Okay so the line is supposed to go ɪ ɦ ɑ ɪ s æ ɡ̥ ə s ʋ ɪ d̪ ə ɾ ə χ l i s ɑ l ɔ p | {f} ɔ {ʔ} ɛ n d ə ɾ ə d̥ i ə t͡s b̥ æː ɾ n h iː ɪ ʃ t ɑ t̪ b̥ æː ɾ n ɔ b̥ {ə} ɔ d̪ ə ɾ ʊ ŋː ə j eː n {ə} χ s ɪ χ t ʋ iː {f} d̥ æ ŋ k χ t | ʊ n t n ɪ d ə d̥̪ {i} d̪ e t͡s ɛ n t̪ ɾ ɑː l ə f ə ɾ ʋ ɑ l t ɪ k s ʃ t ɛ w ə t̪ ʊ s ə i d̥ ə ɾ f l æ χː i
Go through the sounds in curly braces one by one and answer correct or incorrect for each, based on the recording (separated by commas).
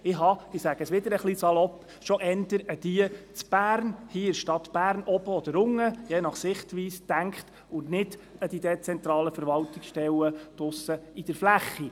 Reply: incorrect, correct, correct, incorrect, incorrect, correct